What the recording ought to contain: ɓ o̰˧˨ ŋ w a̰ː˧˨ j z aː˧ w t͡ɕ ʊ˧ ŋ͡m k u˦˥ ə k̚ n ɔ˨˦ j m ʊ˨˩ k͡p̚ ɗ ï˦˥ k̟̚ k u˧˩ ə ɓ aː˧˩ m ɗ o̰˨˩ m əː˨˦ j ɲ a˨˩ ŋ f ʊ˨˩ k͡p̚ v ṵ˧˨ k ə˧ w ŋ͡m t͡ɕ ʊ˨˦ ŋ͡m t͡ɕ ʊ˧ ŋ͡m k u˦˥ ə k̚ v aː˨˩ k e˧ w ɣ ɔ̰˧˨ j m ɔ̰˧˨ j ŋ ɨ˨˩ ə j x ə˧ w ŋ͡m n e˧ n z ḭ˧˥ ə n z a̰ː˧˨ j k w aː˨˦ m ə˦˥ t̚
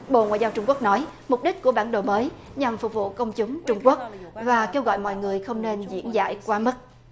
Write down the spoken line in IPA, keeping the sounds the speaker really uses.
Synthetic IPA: ɓ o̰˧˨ ŋ w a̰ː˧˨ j z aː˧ w t͡ɕ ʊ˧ ŋ͡m k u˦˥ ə k̚ n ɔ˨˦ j m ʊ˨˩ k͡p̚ ɗ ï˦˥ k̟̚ k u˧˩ ə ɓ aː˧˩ n ɗ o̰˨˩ m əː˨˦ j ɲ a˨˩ m f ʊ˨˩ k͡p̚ v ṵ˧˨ k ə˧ w ŋ͡m t͡ɕ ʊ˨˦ ŋ͡m t͡ɕ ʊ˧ ŋ͡m k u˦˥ ə k̚ v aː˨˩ k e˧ w ɣ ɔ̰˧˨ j m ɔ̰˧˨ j ŋ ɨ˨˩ ə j x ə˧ w ŋ͡m n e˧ n z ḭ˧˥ ə n z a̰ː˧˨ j k w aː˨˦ m ə˦˥ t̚